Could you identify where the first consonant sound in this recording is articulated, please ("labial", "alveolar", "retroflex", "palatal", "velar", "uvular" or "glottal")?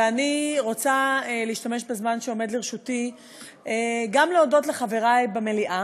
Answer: alveolar